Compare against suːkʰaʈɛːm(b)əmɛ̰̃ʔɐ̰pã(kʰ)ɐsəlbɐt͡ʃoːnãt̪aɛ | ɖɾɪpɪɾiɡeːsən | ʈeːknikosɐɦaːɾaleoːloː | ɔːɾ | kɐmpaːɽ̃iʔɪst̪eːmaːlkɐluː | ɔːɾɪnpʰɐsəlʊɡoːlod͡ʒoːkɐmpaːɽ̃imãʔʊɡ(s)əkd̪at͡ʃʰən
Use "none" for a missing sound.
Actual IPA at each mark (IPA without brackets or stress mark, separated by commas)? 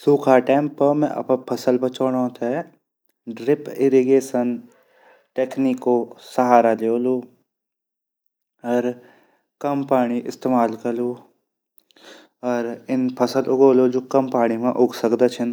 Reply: p, pʰ, s